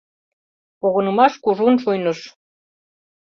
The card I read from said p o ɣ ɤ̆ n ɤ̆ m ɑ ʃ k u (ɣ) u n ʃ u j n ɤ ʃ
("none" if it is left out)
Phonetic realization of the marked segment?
ʒ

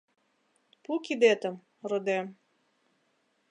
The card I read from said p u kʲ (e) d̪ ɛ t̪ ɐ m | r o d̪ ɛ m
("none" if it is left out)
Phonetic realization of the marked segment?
i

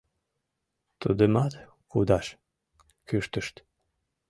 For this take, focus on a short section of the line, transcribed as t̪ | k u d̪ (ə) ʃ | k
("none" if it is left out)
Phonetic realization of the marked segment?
ɑ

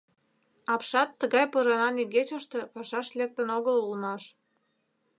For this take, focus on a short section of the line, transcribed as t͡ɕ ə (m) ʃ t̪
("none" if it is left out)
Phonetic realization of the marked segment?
none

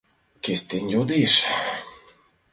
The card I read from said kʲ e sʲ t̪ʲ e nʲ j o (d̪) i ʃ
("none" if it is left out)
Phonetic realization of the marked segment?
d̪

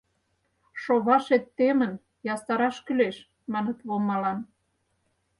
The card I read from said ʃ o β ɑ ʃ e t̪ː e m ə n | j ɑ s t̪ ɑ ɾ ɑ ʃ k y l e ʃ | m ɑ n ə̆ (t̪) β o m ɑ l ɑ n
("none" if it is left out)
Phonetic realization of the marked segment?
t̪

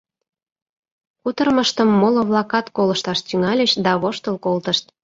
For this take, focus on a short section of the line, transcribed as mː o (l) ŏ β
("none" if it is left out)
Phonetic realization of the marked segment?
l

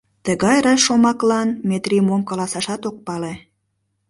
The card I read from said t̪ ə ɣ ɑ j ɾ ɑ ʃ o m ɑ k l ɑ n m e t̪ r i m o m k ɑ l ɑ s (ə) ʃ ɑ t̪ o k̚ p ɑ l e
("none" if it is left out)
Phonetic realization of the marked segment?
ɑ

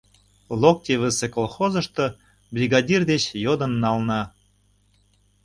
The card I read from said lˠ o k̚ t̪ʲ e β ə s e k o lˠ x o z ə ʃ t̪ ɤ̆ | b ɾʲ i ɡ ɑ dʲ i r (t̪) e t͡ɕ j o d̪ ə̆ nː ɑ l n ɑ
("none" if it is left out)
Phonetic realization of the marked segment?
d̪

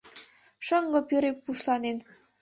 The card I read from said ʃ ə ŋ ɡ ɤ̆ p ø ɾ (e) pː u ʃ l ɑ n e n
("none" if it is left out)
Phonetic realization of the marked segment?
e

